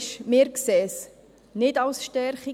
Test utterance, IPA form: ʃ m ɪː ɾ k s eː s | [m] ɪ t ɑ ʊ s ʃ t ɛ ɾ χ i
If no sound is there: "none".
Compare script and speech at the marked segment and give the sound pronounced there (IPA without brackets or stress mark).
n